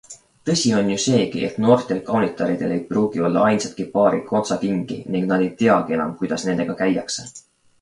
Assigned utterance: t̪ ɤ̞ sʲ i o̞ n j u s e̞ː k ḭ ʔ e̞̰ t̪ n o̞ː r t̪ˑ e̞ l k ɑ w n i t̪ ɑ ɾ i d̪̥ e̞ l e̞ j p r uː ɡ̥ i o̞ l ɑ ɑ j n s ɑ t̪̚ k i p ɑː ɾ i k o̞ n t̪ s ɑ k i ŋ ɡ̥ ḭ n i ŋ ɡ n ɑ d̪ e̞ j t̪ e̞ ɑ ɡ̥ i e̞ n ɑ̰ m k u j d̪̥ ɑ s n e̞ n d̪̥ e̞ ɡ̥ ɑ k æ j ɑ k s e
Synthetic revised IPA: t̪ ɤ̞ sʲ i o̞ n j u s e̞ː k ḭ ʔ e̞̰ t̪ n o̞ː r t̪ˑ e̞ l k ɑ w n i t̪ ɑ ɾ i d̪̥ e̞ l e̞ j p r uː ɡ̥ i o̞ lː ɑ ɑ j n s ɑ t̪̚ k i p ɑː ɾ i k o̞ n t̪ s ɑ k i ŋ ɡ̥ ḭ n i ŋ ɡ n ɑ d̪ e̞ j t̪ e̞ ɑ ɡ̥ i e̞ n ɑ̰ m k u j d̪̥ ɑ s n e̞ n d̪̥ e̞ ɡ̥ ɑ k æ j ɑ k s e

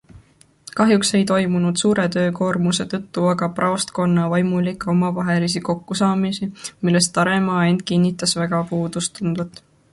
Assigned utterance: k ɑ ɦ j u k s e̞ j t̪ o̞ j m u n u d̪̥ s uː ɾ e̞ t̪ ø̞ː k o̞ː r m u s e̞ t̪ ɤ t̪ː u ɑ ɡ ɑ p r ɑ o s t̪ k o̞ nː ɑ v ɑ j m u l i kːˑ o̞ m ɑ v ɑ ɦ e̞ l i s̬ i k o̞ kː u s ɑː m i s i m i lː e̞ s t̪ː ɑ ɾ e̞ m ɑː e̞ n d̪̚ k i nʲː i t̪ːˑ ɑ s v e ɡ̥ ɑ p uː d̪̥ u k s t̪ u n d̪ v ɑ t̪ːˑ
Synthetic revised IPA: k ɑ ɦ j u k s e̞ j t̪ o̞ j m u n u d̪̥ s uː ɾ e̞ t̪ ø̞ː k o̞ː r m u s e̞ t̪ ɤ t̪ː u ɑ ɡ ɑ p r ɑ o s t̪ k o̞ nː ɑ v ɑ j m u l i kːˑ o̞ m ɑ v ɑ ɦ e̞ l i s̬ i k o̞ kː u s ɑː m i s i m i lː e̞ s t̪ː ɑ ɾ e̞ m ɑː e̞ n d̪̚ k i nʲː i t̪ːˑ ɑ s v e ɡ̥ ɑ p uː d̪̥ u s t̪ u n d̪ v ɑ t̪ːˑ

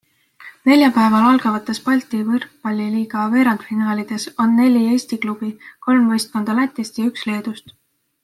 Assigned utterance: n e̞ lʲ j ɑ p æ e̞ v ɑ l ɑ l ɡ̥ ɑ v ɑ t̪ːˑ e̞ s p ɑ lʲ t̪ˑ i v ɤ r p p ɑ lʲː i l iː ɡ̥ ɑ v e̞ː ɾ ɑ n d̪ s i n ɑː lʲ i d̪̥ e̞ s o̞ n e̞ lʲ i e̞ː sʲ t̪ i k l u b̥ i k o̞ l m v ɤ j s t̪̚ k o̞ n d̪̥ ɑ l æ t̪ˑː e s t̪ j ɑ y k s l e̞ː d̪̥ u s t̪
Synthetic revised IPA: n e̞ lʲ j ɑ p æ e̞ v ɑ l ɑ l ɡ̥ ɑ v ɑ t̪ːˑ e̞ s p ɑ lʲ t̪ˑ i v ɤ r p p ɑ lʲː i l iː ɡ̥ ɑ v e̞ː ɾ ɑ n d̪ f i n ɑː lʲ i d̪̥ e̞ s o̞ nː e̞ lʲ i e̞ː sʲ t̪ i k l u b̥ i k o̞ l m v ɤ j s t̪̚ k o̞ n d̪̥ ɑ l æ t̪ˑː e s t̪ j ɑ y k s l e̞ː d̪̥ u s t̪

